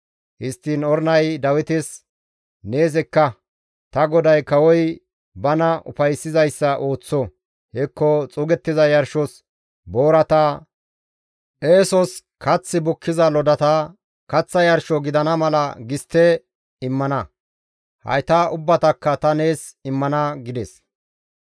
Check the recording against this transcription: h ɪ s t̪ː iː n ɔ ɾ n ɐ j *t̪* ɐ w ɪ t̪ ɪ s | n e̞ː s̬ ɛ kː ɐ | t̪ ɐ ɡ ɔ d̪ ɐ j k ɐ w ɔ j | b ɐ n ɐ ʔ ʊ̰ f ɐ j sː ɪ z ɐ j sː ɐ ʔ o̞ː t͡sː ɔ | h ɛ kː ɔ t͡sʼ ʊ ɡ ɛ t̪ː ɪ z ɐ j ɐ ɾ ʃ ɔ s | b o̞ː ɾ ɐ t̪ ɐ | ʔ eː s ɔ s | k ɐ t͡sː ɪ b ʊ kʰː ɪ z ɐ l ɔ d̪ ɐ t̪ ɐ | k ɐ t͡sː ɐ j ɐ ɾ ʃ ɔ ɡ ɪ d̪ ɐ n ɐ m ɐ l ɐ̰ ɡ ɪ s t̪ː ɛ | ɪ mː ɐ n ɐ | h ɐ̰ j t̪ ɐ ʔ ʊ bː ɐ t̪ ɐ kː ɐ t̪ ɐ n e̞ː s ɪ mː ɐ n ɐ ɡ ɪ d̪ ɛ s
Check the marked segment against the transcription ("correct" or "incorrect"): incorrect